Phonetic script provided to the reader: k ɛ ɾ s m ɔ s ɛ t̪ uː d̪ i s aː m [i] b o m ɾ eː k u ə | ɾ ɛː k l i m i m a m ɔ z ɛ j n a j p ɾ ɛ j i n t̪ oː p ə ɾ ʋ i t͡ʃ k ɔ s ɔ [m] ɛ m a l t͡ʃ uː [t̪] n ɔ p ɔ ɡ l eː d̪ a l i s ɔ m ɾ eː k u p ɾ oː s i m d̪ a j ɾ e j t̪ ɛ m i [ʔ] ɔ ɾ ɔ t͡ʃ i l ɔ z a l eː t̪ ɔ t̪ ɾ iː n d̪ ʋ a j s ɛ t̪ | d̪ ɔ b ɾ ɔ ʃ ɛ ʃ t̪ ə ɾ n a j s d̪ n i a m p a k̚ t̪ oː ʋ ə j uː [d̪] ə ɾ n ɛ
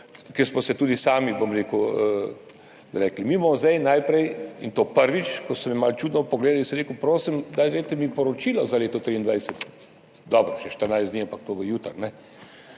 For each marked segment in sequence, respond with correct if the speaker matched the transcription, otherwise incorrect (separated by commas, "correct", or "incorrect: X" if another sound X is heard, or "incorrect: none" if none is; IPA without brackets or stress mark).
correct, correct, incorrect: d̪, incorrect: p, incorrect: t̪